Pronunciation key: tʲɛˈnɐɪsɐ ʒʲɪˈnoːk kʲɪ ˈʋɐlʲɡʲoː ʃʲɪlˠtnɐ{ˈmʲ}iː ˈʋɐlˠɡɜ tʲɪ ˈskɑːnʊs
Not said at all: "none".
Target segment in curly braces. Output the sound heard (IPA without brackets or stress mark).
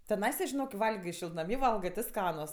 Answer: mʲ